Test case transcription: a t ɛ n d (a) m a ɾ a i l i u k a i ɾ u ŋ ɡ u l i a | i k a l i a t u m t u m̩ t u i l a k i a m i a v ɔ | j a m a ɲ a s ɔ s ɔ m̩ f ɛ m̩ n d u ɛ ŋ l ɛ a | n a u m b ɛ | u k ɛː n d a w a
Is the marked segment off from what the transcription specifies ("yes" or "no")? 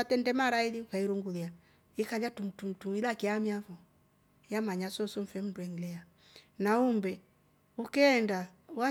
yes